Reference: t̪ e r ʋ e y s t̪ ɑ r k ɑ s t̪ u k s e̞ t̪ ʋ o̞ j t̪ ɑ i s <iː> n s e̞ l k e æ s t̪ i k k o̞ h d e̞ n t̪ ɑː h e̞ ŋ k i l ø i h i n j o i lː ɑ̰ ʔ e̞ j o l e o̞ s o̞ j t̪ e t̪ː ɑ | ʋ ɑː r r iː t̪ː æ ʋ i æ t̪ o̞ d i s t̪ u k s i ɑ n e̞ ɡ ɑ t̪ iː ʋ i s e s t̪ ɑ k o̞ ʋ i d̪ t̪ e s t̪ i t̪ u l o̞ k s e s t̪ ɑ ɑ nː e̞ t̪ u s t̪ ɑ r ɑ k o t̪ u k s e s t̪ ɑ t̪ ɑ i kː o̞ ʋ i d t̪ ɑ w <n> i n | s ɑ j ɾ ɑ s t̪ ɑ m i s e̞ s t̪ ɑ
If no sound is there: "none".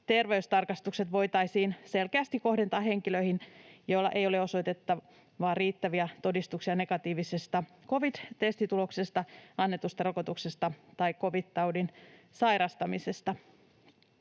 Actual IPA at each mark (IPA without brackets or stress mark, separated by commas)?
iː, d